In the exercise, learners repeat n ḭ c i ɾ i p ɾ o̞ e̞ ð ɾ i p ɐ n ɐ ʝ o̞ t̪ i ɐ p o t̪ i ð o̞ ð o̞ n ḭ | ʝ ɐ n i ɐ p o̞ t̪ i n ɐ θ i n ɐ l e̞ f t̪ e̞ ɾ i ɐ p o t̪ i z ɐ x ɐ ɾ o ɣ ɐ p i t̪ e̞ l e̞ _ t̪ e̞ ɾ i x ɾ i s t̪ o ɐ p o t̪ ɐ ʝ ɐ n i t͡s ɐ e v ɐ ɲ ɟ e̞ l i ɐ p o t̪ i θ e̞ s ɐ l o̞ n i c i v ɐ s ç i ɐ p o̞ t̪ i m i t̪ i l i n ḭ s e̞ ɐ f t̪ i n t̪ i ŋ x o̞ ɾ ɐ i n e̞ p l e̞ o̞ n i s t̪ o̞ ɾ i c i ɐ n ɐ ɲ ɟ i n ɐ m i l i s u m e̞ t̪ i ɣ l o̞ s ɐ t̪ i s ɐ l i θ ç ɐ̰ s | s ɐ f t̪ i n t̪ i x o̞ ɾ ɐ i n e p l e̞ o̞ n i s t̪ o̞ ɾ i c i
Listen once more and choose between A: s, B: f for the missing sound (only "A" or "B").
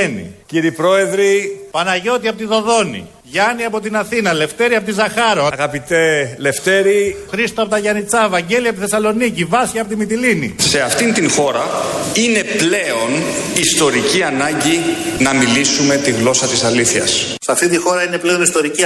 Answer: B